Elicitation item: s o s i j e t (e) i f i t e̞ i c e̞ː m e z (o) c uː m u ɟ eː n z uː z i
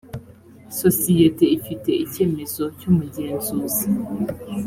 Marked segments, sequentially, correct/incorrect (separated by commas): correct, correct